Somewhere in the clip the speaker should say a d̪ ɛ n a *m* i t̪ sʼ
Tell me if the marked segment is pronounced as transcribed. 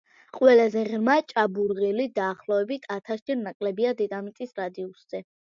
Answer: yes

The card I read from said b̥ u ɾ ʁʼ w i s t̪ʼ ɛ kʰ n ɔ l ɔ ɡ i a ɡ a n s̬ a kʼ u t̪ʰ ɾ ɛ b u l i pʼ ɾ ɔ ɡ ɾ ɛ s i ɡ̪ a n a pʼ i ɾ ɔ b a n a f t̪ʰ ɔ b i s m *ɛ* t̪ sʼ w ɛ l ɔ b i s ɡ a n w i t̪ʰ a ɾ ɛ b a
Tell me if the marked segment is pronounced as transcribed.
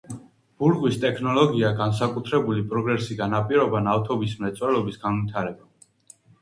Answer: yes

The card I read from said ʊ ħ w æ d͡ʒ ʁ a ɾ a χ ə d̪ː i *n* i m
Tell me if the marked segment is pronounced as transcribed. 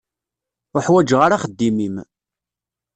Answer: no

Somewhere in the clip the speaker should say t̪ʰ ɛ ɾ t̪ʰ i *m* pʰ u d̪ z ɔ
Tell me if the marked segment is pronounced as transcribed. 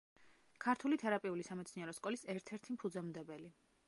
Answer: yes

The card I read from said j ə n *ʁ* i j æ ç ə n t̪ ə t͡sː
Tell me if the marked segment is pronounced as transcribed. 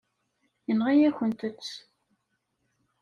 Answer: yes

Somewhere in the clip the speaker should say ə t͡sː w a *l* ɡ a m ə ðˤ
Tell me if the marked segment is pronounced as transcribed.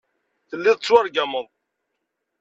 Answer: no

